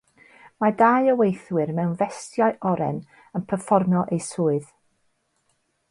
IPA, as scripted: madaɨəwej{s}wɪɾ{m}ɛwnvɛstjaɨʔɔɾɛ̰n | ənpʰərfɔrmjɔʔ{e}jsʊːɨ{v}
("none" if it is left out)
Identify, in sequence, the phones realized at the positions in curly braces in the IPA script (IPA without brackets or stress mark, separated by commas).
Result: θ, m, e, ð